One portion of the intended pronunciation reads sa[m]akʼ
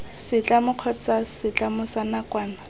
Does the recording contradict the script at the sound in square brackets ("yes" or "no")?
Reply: yes